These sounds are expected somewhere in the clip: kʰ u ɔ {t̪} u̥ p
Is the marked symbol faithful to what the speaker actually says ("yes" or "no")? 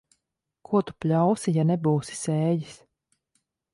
yes